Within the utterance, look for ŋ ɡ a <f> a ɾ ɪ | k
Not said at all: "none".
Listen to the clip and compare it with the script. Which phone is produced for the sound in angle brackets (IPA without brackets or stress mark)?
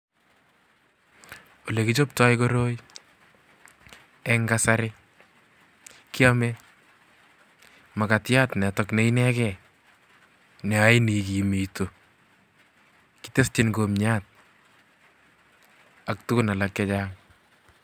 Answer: s